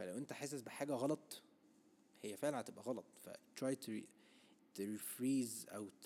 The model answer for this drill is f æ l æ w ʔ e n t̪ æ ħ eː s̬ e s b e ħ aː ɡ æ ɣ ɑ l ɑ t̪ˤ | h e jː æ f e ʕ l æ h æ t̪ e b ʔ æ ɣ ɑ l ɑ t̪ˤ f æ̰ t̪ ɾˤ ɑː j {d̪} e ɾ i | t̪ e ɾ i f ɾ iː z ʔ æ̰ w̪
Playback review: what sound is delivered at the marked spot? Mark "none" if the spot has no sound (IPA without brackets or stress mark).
t̪